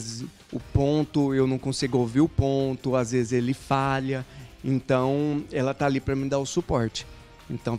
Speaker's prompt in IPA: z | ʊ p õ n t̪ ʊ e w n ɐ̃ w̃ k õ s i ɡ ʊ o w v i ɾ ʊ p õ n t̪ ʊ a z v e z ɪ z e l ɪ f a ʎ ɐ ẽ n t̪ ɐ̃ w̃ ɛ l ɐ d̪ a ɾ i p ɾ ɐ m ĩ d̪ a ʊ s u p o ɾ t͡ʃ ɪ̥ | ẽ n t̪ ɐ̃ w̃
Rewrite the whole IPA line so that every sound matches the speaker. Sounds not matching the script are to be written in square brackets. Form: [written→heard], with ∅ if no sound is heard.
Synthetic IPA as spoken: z | ʊ p õ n t̪ ʊ e w n ɐ̃ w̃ k õ s i ɡ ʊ o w v i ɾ ʊ p õ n t̪ ʊ a z v e z ɪ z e l ɪ f a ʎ ɐ ẽ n t̪ ɐ̃ w̃ ɛ l ɐ [d̪→t̪] a [ɾ→l] i p ɾ ɐ m ĩ d̪ a ʊ s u p [o→ɔ] ɾ t͡ʃ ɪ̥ | ẽ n t̪ ɐ̃ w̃

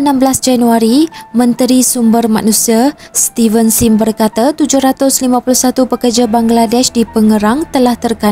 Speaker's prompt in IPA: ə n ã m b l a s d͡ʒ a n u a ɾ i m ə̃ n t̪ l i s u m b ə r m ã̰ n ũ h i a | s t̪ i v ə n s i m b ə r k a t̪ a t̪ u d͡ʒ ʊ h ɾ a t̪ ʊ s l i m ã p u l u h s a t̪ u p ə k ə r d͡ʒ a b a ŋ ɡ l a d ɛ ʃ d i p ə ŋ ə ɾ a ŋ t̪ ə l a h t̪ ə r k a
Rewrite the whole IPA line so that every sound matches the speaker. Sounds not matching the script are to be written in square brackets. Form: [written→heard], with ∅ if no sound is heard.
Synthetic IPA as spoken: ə n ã m b l a s d͡ʒ a n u a ɾ i m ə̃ n t̪ [l→ɾ] i s u m b ə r m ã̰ n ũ [h→s] i a | s t̪ i v ə n s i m b ə r k a t̪ a t̪ u d͡ʒ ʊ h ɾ a t̪ ʊ s l i m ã p u l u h s a t̪ u p ə k ə r d͡ʒ a b a ŋ ɡ l a d ɛ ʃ d i p ə ŋ ə ɾ a ŋ t̪ ə l a h t̪ ə r k a

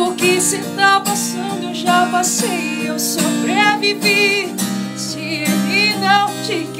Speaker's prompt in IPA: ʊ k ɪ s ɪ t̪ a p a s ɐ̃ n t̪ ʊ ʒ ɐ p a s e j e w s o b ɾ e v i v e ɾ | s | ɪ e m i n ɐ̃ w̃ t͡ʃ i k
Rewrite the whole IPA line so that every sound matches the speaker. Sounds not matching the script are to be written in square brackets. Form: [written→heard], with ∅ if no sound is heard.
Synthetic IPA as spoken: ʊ k ɪ s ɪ t̪ a p a s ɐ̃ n [t̪→d̪] ʊ ʒ [ɐ→a] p a s e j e w s o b ɾ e v i v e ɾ | s | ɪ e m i n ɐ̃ w̃ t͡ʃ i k

